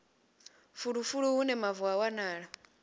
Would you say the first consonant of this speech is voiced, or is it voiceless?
voiceless